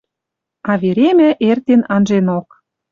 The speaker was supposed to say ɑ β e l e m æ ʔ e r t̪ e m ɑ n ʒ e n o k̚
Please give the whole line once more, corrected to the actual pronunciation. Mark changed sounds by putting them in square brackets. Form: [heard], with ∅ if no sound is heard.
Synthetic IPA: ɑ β e [ɾ] e m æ ʔ e r t̪ e [n] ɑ n ʒ e n o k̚